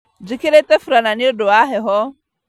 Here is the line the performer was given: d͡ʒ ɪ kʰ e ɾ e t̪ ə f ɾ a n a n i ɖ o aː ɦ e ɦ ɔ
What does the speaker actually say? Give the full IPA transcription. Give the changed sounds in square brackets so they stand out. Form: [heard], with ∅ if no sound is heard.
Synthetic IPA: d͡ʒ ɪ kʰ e ɾ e t̪ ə f ɾ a n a n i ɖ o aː ɦ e ɦ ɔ